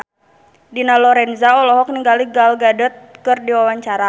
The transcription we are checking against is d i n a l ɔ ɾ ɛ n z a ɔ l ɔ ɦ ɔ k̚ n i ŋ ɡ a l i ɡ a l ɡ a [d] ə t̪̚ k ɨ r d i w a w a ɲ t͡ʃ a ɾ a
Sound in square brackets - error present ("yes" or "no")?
no